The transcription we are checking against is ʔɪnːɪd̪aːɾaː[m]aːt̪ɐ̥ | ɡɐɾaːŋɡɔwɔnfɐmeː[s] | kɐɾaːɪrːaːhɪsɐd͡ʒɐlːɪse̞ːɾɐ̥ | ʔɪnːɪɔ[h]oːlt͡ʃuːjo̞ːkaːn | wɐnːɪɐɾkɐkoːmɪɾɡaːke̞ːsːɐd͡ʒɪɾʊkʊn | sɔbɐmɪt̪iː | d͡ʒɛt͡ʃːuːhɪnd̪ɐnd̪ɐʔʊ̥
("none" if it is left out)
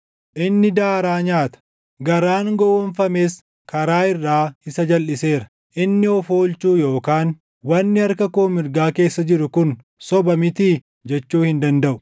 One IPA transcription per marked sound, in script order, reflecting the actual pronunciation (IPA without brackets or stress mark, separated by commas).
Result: ɲ, s, f